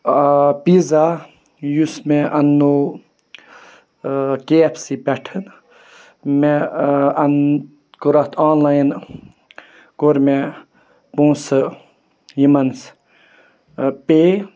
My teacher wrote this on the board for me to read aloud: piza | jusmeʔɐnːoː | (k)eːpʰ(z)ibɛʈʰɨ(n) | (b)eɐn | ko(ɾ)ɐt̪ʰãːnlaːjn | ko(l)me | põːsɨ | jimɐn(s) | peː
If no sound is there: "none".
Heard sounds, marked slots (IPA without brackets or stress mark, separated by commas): k, s, n, m, ɾ, ɾ, s